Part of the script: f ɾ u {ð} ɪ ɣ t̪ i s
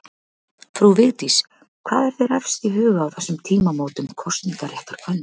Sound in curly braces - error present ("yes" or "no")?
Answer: yes